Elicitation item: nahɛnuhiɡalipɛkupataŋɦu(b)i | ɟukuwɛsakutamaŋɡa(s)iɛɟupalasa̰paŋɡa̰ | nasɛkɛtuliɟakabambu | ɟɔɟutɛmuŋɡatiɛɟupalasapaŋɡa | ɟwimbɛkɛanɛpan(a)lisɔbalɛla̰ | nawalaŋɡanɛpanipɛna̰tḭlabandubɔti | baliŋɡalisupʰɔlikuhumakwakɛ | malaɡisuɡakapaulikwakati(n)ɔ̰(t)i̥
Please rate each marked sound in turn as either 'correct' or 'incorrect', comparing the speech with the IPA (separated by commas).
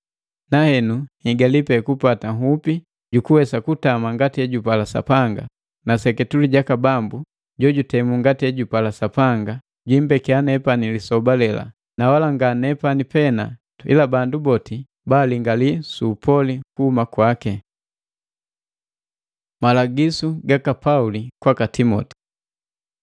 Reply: incorrect, incorrect, incorrect, incorrect, correct